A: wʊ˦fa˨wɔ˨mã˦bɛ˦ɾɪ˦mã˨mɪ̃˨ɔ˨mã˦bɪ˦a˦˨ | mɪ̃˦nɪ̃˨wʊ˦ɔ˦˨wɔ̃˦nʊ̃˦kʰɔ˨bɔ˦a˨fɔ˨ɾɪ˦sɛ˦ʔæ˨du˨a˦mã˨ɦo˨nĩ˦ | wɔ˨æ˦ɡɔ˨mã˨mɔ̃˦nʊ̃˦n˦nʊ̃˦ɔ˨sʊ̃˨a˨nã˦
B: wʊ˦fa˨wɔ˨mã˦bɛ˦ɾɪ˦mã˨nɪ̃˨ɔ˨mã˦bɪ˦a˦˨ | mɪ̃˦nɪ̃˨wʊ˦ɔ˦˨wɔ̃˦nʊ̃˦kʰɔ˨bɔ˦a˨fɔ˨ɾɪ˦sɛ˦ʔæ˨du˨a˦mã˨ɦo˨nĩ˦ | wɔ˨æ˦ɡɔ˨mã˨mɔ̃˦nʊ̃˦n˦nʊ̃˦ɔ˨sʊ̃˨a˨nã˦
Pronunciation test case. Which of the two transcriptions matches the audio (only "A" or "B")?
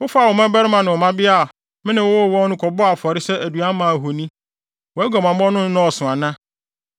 B